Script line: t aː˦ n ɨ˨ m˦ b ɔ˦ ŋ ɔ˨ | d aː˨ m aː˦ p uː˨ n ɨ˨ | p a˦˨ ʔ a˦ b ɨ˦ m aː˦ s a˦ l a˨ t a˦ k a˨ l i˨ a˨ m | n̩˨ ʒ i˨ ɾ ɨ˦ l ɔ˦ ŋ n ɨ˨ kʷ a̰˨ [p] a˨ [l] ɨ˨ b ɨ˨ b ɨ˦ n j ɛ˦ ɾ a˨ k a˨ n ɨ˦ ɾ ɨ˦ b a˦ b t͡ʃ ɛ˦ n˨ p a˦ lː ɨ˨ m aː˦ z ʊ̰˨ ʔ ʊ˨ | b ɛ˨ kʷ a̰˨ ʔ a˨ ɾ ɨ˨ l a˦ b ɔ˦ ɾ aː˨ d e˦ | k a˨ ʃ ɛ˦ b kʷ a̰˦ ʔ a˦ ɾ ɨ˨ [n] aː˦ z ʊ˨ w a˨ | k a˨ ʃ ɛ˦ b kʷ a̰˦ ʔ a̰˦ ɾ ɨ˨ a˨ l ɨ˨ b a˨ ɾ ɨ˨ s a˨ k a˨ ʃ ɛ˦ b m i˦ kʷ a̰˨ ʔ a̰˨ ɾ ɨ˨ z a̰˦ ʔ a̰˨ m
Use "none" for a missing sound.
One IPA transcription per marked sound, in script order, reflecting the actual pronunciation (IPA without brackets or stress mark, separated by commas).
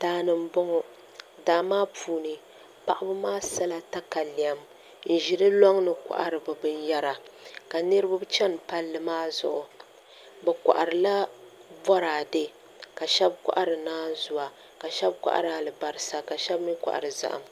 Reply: ʔ, ɾ, n